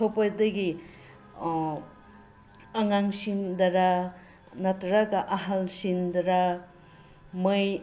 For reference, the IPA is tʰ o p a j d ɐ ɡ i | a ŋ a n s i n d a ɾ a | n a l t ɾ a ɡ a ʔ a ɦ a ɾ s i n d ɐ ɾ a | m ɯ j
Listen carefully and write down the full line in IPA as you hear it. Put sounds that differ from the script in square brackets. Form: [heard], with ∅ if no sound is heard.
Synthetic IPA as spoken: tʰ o p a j d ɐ ɡ i | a ŋ a [ŋ] s i n d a ɾ a | n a [∅] t ɾ a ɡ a ʔ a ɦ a [l] s i n d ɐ ɾ a | m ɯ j

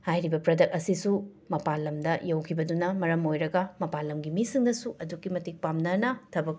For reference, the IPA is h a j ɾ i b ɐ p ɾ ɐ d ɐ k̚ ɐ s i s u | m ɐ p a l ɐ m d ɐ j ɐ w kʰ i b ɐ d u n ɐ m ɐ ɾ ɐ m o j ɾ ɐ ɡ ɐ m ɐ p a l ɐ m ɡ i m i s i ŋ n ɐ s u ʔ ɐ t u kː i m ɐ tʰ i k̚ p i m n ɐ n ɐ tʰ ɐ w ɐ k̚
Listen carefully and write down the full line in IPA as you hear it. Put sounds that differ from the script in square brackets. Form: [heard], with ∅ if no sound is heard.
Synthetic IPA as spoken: h a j ɾ i b ɐ p ɾ ɐ d ɐ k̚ ɐ s i s u | m ɐ p a l ɐ m d ɐ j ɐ w kʰ i b ɐ d u n ɐ m ɐ ɾ ɐ m o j ɾ ɐ ɡ ɐ m ɐ p a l ɐ m ɡ i m i s i ŋ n ɐ s u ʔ ɐ [d] u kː i m ɐ [t] i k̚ p [a] m n ɐ n ɐ tʰ ɐ [b] ɐ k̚

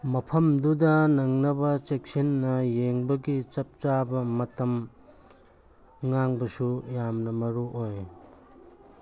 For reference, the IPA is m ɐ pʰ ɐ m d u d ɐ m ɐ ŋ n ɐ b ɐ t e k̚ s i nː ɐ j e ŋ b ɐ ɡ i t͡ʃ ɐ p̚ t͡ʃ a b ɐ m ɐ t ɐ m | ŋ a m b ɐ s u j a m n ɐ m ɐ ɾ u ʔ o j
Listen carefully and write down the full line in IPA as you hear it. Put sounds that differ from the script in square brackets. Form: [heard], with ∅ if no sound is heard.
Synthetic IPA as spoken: m ɐ pʰ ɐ m d u d ɐ [n] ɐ ŋ n ɐ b ɐ [t͡ʃ] e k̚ s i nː ɐ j e ŋ b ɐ ɡ i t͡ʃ ɐ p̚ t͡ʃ a b ɐ m ɐ t ɐ m | ŋ a [ŋ] b ɐ s u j a m n ɐ m ɐ ɾ u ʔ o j

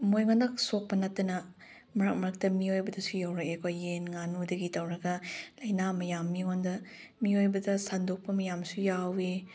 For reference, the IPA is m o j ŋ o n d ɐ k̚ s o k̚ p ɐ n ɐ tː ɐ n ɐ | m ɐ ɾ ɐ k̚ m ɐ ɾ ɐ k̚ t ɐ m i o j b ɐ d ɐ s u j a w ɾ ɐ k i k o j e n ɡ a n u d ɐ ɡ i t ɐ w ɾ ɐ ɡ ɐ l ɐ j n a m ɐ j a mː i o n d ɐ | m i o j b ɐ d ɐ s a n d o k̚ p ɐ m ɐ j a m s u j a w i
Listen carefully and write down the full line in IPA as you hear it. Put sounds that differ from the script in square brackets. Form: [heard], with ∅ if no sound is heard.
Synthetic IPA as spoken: m o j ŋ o n d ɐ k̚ s o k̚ p ɐ n ɐ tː ɐ n ɐ | m ɐ ɾ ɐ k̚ m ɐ ɾ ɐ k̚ t ɐ m i o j b ɐ d ɐ s u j a w ɾ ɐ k [e] k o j e n [ŋ] a n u d ɐ ɡ i t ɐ w ɾ ɐ ɡ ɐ l ɐ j n a m ɐ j a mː i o n d ɐ | m i o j b ɐ d ɐ s a n d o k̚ p ɐ m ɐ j a m s u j a w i

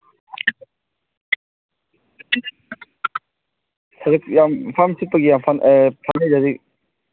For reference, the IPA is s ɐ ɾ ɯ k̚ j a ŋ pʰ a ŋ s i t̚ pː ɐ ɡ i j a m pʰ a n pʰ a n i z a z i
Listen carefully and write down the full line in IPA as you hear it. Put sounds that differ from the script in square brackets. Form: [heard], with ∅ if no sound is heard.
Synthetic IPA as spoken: s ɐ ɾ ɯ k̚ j a [m] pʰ a [m] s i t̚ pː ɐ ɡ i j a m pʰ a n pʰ a n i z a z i

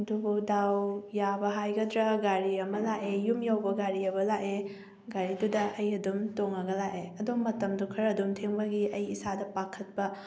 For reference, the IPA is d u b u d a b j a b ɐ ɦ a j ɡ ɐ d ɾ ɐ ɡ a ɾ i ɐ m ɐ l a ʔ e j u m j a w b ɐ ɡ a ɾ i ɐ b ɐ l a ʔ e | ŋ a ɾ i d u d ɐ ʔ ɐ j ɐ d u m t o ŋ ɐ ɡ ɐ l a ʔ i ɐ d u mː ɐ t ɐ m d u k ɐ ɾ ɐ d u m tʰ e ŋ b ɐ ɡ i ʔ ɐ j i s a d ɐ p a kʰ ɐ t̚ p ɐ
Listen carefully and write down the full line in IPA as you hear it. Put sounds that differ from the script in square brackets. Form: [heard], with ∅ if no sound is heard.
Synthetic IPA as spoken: d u b u d a [w] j a b ɐ ɦ a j ɡ ɐ d ɾ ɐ ɡ a ɾ i ɐ m ɐ l a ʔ e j u m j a w b ɐ ɡ a ɾ i ɐ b ɐ l a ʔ e | [ɡ] a ɾ i d u d ɐ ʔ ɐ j ɐ d u m t o ŋ ɐ ɡ ɐ l a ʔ [e] ɐ d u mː ɐ t ɐ m d u [kʰ] ɐ ɾ ɐ d u m tʰ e ŋ b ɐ ɡ i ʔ ɐ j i s a d ɐ p a kʰ ɐ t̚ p ɐ

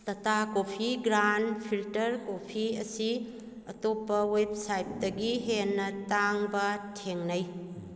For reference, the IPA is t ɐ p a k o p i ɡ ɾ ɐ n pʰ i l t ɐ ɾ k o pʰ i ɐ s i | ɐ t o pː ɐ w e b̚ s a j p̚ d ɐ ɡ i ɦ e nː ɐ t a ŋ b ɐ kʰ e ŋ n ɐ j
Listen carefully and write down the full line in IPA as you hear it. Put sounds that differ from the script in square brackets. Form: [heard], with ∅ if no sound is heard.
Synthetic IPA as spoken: t ɐ [t] a k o [pʰ] i ɡ ɾ [a] n pʰ i l t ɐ ɾ k o pʰ i ɐ s i | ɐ t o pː ɐ w e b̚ s a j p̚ d ɐ ɡ i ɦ e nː ɐ t a ŋ b ɐ [tʰ] e ŋ n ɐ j

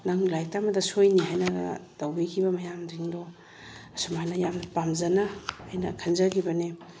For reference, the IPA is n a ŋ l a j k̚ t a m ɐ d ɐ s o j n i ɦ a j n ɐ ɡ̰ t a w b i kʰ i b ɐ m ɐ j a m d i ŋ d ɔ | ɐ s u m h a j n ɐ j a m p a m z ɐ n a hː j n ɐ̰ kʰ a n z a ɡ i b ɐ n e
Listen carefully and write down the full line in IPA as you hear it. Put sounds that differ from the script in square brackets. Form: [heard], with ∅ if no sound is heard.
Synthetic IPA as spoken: n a ŋ l a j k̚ t a m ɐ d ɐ s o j n i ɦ a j n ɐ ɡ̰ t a w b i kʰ i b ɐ m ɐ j a m d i ŋ d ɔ | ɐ s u m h a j n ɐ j a m p a m z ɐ n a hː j n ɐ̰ kʰ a n z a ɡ i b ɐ n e

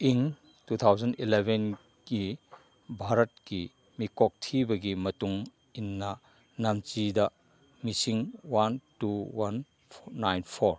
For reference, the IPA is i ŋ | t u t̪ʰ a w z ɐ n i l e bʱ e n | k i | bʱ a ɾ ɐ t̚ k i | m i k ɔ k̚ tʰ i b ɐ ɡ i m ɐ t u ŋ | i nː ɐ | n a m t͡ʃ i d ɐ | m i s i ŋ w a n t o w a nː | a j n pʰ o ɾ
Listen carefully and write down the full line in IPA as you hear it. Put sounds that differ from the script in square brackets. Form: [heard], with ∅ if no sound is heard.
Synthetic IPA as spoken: i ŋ | t u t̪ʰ a w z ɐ n i l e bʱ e n | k i | bʱ a ɾ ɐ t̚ k i | m i k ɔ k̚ tʰ i b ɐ ɡ i m ɐ t u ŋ | i nː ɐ | n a m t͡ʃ i d ɐ | m i s i ŋ w a n t [u] w a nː | a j n pʰ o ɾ

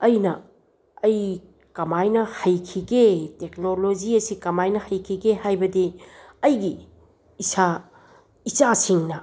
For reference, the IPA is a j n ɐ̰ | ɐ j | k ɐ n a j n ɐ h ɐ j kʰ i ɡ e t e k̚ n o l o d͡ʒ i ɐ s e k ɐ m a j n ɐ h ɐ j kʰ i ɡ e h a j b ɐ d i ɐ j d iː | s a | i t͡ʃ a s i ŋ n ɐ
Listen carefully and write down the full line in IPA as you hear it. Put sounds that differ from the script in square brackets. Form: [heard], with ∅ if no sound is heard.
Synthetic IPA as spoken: [ɐ] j n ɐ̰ | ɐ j | k ɐ [m] a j n ɐ h ɐ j kʰ i ɡ e t e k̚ n o l o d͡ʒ i ɐ s [i] k ɐ m a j n ɐ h ɐ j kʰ i ɡ e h a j b ɐ d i ɐ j [ɡ] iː | s a | i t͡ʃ a s i ŋ n ɐ

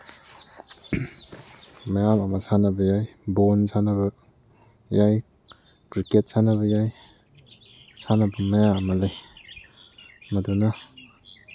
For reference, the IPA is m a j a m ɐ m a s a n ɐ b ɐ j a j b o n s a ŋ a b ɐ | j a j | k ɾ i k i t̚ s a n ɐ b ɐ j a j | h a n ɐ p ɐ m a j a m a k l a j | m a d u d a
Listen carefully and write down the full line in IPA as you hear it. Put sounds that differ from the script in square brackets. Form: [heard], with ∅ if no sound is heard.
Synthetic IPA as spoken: m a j a m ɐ m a s a n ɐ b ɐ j a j b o n s a [n] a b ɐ | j a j | k ɾ i k [e] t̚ s a n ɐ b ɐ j a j | [s] a n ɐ [b] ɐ m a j a m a [∅] l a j | m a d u [n] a

